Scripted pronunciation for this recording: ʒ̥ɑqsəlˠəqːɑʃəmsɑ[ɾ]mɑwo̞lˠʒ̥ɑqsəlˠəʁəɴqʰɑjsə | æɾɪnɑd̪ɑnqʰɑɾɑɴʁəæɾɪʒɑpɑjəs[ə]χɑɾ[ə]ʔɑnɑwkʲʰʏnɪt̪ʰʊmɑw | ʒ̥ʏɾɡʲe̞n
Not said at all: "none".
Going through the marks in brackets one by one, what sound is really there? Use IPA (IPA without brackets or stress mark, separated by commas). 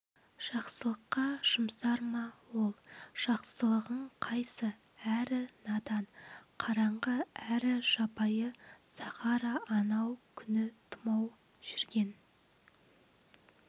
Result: ɾ, ɑ, ɑ